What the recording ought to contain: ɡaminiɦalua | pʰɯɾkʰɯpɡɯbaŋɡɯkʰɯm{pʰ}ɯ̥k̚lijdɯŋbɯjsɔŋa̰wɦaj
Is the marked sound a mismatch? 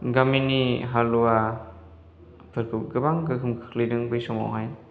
yes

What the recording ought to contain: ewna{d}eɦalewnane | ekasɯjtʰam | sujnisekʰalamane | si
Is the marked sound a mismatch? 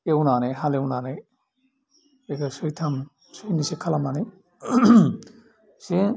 yes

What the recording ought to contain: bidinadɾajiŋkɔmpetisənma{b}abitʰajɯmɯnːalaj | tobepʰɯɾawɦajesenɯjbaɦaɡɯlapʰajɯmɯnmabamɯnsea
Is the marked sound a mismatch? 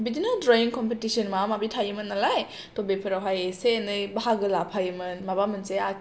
yes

